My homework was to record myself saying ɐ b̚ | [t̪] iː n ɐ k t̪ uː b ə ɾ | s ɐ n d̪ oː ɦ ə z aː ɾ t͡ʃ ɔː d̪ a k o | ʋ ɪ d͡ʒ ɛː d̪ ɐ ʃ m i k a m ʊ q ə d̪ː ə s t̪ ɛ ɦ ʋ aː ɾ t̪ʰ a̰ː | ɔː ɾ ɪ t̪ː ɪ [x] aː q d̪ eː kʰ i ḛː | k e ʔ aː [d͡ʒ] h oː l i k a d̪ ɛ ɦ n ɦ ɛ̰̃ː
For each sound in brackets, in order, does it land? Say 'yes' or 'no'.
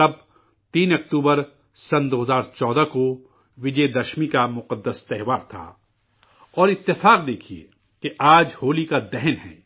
yes, no, yes

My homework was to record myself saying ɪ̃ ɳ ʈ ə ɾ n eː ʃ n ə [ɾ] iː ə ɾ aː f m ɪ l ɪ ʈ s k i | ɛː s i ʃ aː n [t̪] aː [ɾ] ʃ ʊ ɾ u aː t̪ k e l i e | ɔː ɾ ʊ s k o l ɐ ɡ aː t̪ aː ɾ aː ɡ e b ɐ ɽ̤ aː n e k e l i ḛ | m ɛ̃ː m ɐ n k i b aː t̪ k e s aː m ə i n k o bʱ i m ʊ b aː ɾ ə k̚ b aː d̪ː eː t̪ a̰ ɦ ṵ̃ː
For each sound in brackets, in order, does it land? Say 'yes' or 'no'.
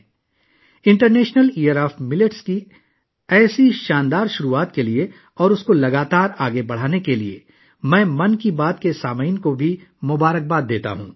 no, no, yes

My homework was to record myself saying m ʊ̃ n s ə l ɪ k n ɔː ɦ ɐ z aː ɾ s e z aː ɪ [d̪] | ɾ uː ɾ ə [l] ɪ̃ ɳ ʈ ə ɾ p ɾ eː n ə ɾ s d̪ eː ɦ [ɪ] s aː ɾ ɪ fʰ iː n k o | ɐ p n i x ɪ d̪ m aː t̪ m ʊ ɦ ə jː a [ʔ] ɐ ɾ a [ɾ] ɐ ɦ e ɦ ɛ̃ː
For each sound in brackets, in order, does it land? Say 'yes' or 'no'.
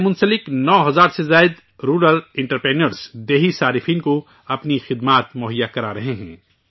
yes, yes, no, no, yes

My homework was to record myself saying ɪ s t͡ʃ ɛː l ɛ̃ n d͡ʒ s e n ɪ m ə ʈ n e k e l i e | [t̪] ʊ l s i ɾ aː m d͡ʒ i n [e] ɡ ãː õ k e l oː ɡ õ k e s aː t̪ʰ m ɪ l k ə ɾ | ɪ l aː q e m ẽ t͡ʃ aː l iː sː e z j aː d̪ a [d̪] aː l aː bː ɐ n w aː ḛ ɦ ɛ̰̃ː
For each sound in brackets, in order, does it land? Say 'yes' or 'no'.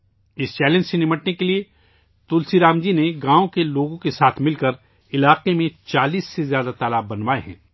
yes, yes, no

